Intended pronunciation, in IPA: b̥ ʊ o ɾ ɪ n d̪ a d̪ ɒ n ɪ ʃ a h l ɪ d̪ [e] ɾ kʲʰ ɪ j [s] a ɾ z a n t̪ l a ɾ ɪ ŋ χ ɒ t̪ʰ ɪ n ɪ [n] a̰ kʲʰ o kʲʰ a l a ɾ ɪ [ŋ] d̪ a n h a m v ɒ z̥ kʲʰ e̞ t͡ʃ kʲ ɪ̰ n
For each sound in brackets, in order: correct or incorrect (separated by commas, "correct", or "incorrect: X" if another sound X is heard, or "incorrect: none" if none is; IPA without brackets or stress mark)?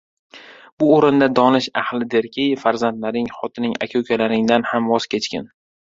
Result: correct, incorrect: f, incorrect: ŋ, correct